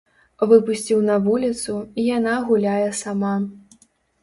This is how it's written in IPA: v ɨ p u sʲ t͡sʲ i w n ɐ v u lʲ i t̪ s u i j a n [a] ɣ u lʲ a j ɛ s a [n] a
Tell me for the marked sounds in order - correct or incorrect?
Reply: correct, incorrect: m

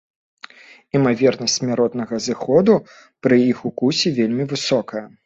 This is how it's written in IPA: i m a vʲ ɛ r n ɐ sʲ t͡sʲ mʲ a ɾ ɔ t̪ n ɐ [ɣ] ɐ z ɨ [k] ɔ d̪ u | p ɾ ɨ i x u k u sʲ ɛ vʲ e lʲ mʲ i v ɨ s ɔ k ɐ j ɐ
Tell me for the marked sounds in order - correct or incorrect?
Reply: correct, incorrect: x

